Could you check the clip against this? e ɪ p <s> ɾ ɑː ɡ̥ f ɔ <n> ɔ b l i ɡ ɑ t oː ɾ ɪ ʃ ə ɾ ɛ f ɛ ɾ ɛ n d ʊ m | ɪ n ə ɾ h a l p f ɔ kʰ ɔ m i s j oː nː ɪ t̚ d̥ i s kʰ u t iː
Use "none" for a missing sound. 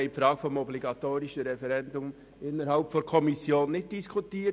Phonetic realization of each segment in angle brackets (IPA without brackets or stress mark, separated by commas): f, m